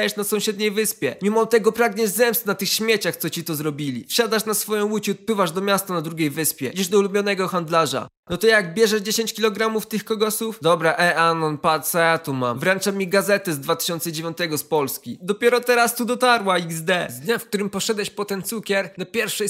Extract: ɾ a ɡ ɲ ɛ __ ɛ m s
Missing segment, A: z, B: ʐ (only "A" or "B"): A